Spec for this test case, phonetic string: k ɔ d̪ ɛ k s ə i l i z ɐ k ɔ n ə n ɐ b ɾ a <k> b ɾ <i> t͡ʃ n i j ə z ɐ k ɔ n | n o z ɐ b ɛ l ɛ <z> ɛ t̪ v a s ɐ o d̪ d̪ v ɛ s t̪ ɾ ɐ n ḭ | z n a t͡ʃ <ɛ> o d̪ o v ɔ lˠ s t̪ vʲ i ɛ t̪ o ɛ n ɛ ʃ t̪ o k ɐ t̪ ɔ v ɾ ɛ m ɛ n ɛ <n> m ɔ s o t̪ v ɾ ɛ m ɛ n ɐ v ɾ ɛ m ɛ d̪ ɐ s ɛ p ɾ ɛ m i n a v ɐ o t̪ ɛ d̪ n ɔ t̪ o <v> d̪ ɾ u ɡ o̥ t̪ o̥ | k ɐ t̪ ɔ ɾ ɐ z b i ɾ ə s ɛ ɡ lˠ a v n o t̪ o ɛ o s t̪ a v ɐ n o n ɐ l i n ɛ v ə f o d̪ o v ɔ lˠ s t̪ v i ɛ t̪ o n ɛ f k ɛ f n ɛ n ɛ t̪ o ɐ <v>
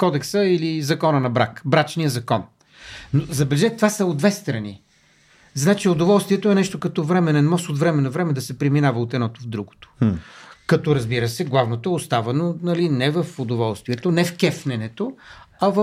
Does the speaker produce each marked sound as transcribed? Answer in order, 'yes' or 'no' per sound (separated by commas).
yes, no, no, no, yes, yes, yes